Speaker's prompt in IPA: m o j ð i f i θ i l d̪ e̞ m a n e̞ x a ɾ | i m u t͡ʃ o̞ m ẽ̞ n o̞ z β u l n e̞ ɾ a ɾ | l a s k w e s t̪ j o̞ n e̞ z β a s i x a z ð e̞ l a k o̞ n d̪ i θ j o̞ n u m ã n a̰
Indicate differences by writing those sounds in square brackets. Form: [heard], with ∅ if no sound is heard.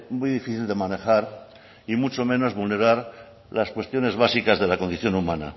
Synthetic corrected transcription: m [u] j ð i f i θ i l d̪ e̞ m a n e̞ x a ɾ | i m u t͡ʃ o̞ m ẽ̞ n o̞ z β u l n e̞ ɾ a ɾ | l a s k w e s t̪ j o̞ n e̞ z β a s i [k] a z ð e̞ l a k o̞ n d̪ i θ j o̞ n u m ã n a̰